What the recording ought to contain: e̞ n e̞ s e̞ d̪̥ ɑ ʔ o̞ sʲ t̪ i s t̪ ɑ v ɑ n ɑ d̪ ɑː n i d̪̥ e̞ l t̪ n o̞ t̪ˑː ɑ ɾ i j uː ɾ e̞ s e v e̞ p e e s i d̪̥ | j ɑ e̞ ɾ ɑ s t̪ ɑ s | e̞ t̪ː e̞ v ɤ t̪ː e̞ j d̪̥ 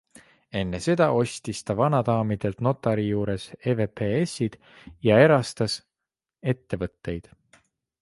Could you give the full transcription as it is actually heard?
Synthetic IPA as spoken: e̞ nː e̞ s e̞ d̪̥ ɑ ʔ o̞ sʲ t̪ i s t̪ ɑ v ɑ n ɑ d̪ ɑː m i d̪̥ e̞ l t̪ n o̞ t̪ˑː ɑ ɾ i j uː ɾ e̞ s e v e̞ p e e s i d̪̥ | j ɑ e̞ ɾ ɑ s t̪ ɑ s | e̞ t̪ː e̞ v ɤ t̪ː e̞ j d̪̥